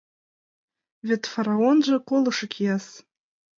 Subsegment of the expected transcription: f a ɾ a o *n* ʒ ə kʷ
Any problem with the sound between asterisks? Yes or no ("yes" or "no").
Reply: no